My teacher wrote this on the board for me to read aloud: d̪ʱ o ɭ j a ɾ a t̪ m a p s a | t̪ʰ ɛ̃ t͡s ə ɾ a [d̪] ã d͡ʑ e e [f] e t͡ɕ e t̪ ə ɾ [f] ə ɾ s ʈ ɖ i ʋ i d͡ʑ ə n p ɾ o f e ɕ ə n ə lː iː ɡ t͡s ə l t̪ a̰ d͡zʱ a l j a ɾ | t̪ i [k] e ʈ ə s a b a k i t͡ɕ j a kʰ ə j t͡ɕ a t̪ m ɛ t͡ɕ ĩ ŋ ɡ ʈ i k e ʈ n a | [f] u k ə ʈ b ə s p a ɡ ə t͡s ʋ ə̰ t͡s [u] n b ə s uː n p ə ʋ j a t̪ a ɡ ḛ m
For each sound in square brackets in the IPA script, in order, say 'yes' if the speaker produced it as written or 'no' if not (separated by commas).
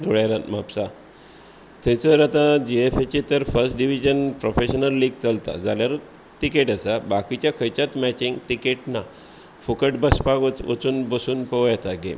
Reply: no, yes, yes, yes, yes, no